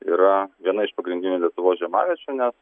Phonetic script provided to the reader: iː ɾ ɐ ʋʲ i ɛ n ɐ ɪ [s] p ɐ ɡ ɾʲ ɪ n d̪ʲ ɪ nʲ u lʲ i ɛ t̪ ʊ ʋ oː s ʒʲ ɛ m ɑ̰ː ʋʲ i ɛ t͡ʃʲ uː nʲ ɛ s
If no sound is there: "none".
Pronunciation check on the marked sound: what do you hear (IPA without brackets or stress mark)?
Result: ʃ